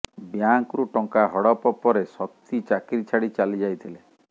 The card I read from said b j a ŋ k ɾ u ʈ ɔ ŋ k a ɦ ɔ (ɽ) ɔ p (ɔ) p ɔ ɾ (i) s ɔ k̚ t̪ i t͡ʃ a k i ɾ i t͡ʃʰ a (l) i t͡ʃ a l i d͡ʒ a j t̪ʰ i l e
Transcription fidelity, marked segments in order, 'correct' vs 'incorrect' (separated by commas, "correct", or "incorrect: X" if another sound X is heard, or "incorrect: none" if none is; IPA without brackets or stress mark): correct, correct, incorrect: e, incorrect: ɽ